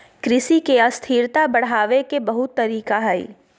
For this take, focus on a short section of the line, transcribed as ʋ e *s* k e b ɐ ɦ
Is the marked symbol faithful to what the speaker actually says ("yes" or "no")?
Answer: no